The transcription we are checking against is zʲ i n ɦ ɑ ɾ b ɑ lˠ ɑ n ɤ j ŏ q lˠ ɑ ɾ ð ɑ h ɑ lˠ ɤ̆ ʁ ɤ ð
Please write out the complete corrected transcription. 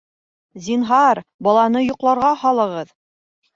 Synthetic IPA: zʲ i n ɦ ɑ ɾ b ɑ lˠ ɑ n ɤ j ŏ q lˠ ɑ ɾ ʁ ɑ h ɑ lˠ ɤ̆ ʁ ɤ ð